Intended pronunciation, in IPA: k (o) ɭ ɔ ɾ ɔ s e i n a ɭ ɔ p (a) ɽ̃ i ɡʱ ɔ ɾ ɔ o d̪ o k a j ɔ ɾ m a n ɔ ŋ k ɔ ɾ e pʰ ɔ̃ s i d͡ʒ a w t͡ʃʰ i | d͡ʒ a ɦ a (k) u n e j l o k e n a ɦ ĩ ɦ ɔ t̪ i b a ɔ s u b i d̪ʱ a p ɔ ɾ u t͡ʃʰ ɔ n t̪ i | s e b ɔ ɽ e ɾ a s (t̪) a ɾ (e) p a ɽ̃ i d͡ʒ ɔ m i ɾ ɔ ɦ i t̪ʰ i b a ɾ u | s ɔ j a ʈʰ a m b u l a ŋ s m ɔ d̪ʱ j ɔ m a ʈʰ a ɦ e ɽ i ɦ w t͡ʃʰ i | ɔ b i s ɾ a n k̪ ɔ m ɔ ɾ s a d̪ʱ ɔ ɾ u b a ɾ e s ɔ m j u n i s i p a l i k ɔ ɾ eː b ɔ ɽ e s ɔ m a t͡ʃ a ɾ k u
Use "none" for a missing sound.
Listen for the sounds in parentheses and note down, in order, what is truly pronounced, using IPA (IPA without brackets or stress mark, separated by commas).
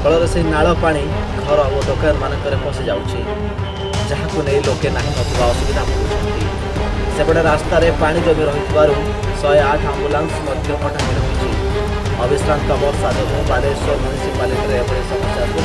ɔ, a, k, t̪, e